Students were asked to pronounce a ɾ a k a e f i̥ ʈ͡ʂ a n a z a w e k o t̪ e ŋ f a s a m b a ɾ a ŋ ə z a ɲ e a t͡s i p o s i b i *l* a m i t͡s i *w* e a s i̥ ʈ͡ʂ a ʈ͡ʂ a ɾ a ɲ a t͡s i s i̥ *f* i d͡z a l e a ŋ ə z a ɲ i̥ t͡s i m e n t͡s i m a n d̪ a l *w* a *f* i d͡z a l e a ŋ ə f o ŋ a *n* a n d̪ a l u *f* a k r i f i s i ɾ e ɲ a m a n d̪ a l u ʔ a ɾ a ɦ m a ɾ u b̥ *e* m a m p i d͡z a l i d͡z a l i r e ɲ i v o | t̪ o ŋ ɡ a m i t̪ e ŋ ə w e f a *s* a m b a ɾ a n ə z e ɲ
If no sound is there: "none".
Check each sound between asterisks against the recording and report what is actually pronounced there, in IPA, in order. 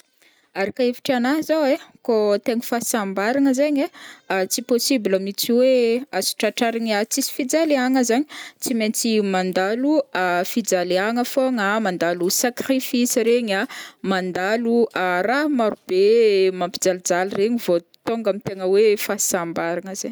l, w, f, u, f, m, s, e, s

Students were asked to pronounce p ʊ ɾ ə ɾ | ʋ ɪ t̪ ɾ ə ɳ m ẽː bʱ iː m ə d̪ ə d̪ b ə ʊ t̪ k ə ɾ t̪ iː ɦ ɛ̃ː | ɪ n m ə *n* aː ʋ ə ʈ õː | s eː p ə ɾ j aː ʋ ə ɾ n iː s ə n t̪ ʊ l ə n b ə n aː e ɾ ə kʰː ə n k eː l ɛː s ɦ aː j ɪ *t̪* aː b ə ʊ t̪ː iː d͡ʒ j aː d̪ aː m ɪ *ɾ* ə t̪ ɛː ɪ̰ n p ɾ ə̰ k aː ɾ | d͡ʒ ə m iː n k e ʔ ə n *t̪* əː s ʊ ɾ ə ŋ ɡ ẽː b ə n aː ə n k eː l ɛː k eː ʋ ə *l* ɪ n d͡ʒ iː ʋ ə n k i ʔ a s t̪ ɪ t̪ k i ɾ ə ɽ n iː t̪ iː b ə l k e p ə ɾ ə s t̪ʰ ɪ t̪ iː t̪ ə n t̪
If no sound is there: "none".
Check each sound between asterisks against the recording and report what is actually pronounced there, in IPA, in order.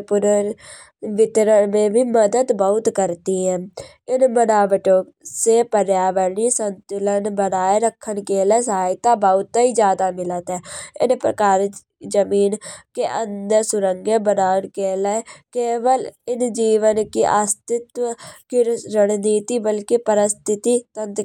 n, t̪, l, d̪, l

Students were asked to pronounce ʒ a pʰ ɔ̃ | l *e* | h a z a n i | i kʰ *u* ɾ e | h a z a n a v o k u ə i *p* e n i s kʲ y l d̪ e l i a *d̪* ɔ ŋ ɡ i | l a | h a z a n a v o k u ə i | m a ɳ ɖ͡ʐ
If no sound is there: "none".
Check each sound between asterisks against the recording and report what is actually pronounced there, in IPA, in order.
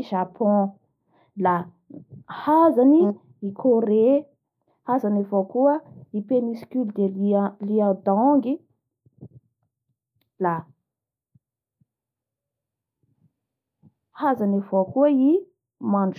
a, o, p, d̪

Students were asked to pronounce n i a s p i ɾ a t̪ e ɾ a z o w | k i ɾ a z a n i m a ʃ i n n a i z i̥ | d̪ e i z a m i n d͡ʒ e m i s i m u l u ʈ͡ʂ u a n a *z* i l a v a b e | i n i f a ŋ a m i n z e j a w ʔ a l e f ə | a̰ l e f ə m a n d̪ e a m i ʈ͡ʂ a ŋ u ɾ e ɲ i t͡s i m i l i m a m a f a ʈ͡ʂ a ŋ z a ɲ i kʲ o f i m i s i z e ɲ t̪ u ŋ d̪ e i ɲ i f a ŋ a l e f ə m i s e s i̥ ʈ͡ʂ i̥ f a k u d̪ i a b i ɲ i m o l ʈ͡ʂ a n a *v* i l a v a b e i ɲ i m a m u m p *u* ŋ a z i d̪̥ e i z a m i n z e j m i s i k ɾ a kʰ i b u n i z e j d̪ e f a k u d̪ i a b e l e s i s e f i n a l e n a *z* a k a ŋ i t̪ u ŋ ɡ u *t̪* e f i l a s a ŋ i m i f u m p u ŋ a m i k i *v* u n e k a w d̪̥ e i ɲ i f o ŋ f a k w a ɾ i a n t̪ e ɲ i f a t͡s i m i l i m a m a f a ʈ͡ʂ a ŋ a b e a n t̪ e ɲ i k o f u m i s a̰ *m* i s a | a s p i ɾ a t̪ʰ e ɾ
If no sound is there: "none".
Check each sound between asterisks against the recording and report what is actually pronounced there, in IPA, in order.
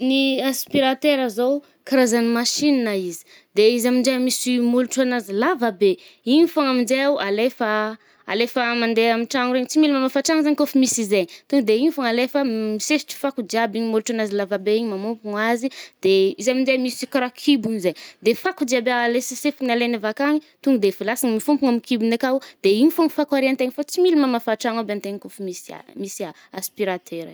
z, z, u, v, d̪, b, m

